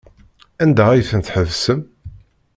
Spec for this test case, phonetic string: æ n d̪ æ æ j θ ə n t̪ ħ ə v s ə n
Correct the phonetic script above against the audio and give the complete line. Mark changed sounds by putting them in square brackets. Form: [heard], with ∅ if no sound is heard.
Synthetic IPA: æ n d̪ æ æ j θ ə n t̪ ħ ə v s ə [m]